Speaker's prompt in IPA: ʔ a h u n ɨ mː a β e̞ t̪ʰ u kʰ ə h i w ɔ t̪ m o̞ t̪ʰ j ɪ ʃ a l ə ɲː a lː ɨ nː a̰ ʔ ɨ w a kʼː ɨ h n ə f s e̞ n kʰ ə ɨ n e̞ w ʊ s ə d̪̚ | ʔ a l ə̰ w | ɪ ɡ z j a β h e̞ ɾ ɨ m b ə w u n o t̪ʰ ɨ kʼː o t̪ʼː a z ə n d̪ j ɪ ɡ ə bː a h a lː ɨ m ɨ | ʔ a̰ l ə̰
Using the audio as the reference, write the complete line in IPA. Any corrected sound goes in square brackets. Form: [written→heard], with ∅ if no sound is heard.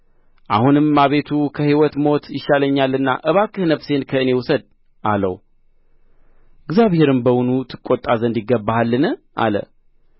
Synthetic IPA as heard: ʔ a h u n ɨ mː a β e̞ t̪ʰ u kʰ ə h i w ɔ t̪ m o̞ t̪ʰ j ɪ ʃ a l ə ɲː a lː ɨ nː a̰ ʔ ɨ [w→β] a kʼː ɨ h n ə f s e̞ n kʰ ə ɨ n e̞ w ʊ s ə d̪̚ | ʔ a l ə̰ w | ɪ ɡ z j a β h e̞ ɾ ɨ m b ə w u n [o→u] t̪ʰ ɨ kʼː o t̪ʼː a z ə n d̪ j ɪ ɡ ə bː a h a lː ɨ [m→n] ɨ | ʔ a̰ l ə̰